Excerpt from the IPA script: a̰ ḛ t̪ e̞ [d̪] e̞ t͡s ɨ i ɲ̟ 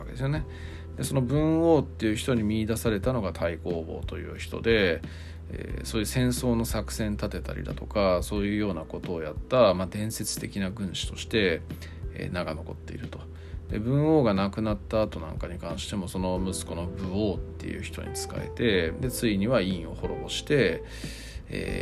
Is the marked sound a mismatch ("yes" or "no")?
no